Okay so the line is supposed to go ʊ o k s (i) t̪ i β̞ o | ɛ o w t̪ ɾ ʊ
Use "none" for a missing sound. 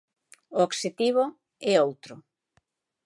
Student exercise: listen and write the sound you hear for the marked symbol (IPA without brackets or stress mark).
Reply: e